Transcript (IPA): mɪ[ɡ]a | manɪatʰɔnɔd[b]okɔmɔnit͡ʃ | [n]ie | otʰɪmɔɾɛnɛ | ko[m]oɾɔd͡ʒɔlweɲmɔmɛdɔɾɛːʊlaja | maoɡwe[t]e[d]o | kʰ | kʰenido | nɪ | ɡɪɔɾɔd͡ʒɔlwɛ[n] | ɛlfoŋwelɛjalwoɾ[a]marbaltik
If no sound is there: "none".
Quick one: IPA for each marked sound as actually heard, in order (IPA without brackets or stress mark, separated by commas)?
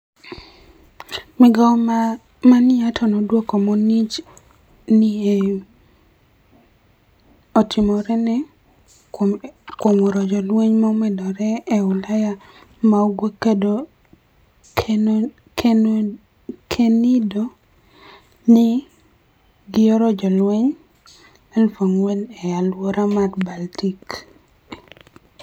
ɡ, w, n, m, k, d, ɲ, a